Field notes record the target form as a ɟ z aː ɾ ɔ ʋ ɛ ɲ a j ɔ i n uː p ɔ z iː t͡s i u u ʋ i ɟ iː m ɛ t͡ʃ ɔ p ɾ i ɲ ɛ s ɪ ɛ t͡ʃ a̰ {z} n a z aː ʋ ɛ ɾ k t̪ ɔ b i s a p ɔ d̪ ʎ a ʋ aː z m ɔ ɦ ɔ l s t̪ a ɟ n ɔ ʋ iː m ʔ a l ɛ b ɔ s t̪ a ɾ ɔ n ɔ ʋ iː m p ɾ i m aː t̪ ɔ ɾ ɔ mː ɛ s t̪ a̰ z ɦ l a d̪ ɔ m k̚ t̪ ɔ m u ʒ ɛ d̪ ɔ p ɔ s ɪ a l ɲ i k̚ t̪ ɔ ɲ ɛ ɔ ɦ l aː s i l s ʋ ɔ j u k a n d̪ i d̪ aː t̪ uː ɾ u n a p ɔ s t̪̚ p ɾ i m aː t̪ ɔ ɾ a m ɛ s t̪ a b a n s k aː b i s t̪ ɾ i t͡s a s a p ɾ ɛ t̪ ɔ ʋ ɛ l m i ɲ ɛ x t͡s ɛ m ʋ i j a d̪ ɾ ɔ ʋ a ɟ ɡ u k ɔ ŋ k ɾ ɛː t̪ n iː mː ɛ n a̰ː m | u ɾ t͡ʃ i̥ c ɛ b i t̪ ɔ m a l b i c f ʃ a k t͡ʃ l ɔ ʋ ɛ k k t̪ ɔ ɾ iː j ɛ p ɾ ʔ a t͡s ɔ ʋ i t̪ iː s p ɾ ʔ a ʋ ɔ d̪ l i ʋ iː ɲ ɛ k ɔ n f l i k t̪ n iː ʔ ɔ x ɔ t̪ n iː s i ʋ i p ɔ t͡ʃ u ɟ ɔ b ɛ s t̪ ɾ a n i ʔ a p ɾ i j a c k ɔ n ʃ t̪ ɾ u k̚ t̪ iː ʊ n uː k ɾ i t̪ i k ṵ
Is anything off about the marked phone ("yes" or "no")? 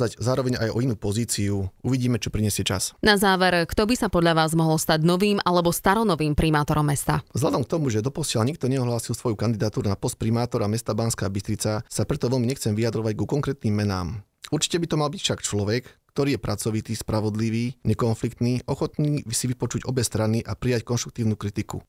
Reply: yes